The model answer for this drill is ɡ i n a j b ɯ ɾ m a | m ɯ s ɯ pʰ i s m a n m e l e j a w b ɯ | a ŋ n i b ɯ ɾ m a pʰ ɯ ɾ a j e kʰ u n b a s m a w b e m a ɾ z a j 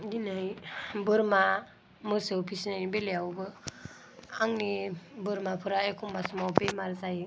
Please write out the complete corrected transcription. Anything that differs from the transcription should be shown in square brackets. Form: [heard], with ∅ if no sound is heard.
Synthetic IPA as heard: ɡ i n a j b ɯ ɾ m a | m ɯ s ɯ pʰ i s [n] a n [b] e l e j a w b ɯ | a ŋ n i b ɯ ɾ m a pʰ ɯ ɾ a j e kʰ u [m] b a s m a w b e m a ɾ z a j